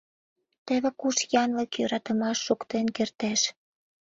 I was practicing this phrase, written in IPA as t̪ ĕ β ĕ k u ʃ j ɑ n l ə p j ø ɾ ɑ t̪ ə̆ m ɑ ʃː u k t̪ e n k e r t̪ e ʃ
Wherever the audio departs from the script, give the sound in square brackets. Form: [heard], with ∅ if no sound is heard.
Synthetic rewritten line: t̪ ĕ β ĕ k u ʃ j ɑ n l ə [k] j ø ɾ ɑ t̪ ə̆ m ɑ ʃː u k t̪ e n k e r t̪ e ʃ